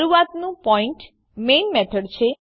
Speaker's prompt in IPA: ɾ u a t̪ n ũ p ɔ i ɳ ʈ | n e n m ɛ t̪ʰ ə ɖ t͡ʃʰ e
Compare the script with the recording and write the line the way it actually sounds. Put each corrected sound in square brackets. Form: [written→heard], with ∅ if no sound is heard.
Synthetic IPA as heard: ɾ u a t̪ n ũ p ɔ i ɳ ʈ | [n→m] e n m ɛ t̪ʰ ə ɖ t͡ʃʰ e